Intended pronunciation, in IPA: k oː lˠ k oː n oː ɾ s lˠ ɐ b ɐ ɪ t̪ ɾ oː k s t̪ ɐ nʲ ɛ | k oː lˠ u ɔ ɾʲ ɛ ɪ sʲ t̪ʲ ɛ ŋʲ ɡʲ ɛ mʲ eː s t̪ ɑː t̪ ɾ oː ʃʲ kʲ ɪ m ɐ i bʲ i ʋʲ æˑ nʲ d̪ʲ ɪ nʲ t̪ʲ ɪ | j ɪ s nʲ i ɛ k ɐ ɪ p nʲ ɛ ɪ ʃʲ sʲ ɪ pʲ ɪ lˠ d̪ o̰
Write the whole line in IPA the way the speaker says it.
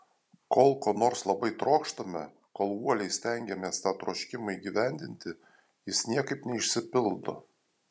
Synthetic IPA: k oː lˠ k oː n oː ɾ s lˠ ɐ b ɐ ɪ t̪ ɾ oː k ʃ t̪ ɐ mʲ ɛ | k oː lˠ u ɔ lʲ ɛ ɪ sʲ t̪ʲ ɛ ŋʲ ɡʲ ɛ mʲ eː s t̪ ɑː t̪ ɾ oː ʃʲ kʲ ɪ m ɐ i ɡʲ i ʋʲ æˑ nʲ d̪ʲ ɪ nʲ t̪ʲ ɪ | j ɪ s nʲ i ɛ k ɐ ɪ p nʲ ɛ ɪ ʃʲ sʲ ɪ pʲ ɪ lˠ d̪ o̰